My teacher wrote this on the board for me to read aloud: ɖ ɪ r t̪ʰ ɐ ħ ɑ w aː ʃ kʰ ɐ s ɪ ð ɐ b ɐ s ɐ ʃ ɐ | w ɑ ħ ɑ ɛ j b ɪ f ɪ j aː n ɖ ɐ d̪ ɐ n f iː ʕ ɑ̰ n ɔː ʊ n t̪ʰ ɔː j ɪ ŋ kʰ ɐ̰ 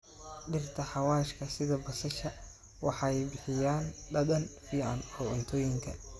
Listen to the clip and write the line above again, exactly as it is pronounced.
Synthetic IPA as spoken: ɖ ɪ r t̪ʰ ɐ ħ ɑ w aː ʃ kʰ ɐ s ɪ ð ɐ b ɐ s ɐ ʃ ɐ | w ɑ ħ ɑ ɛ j b ɪ ħ ɪ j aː n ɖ ɐ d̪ ɐ n f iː ʕ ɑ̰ n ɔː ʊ n t̪ʰ ɔː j ɪ ŋ kʰ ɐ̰